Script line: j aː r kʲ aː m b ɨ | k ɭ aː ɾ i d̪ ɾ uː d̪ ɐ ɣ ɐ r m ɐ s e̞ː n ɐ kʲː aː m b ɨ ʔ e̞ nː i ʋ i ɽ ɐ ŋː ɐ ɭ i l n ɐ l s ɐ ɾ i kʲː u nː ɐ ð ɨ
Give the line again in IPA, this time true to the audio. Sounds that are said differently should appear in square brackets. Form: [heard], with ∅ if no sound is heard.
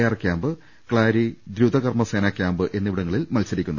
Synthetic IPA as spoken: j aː r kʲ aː m b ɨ | k ɭ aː ɾ i d̪ ɾ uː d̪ ɐ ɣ ɐ r m ɐ s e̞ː n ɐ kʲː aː m b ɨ ʔ e̞ nː i ʋ i ɽ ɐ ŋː ɐ ɭ i l [m] ɐ l s ɐ ɾ i kʲː u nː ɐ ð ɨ